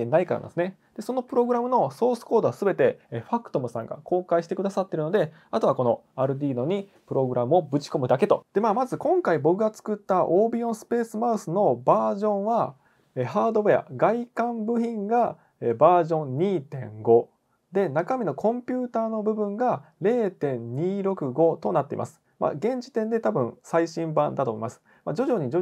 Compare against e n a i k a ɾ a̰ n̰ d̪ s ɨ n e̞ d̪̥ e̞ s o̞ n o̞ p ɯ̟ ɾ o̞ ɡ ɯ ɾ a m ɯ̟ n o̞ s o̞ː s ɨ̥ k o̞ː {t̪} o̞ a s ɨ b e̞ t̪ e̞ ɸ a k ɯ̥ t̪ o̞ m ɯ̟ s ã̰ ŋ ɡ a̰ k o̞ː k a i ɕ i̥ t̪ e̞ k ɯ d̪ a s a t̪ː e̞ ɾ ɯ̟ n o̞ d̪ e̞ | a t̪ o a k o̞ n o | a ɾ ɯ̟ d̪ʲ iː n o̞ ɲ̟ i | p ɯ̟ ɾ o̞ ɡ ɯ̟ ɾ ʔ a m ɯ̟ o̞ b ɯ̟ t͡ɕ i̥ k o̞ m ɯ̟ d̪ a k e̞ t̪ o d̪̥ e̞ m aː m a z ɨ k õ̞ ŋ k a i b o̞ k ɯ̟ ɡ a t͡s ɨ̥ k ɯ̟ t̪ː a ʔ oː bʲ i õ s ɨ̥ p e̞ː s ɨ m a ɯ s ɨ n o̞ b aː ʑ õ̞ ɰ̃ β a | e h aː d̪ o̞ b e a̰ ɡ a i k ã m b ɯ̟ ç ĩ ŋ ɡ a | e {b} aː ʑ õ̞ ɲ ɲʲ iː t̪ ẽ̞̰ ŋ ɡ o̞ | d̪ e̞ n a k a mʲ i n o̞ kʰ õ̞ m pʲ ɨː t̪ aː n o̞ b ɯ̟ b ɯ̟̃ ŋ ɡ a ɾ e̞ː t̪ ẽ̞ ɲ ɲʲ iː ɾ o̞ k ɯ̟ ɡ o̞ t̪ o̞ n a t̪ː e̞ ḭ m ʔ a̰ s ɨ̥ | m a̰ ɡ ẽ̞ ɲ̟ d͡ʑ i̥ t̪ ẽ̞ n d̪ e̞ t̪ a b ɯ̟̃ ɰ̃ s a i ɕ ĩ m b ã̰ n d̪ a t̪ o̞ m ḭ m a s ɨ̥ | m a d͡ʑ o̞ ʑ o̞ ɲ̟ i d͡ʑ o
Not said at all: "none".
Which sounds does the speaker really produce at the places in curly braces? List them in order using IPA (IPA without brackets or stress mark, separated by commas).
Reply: d̪, b